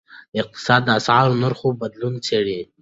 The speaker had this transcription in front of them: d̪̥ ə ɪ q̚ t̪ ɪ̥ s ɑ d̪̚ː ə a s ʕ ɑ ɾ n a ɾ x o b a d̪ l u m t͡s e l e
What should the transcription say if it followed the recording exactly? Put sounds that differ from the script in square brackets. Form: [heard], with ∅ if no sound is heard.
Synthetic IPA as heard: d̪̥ ə ɪ q̚ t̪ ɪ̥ s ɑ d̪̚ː ə a s ʕ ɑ ɾ n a ɾ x o b a d̪ l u [n] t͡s e [ɽ] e